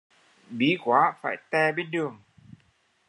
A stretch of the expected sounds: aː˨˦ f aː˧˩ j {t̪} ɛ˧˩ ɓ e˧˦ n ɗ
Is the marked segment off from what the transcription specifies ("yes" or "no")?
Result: no